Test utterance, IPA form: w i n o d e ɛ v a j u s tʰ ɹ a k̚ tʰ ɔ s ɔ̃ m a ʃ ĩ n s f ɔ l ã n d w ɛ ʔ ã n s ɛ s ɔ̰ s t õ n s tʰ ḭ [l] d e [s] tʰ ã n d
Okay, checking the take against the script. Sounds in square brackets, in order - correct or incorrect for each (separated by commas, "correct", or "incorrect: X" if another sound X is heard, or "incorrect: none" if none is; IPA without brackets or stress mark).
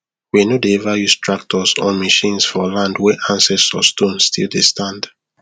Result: correct, correct